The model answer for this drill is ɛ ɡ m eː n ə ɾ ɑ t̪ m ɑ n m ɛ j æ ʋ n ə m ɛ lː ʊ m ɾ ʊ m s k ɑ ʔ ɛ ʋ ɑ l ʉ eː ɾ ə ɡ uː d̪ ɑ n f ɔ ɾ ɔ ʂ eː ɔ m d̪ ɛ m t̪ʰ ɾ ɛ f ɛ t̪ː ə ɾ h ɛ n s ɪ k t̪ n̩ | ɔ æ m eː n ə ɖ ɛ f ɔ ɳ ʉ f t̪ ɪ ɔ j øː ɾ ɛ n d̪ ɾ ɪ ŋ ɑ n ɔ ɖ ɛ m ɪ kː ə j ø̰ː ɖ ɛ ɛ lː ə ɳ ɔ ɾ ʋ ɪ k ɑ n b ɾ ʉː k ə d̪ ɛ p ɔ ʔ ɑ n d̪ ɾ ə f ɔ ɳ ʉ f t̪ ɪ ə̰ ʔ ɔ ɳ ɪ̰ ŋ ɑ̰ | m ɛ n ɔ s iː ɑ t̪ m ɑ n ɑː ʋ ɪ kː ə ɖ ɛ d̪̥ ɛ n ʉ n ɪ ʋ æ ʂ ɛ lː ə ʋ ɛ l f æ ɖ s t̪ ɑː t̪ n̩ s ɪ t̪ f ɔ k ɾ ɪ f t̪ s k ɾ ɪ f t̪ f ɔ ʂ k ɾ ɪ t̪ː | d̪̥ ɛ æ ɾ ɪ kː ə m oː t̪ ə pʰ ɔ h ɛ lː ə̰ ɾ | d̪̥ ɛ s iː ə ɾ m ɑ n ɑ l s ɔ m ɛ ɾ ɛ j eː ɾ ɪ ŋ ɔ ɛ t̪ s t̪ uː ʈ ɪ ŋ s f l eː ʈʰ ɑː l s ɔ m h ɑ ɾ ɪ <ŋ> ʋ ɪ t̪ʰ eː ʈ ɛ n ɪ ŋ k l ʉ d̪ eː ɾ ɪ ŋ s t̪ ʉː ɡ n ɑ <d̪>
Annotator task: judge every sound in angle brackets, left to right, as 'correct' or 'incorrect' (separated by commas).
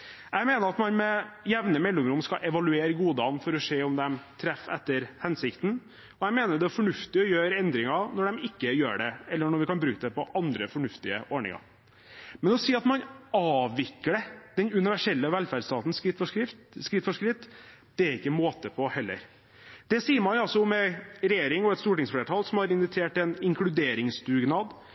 incorrect, correct